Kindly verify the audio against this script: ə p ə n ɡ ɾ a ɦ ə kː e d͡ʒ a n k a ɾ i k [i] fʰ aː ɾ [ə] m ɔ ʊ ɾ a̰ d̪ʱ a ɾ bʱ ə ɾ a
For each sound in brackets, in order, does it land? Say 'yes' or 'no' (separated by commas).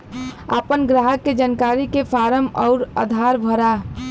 no, yes